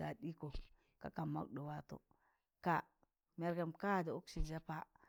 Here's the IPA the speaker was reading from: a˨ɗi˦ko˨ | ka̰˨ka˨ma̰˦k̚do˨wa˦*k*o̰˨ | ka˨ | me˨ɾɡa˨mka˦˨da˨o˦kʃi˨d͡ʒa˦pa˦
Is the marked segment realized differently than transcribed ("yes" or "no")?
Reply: yes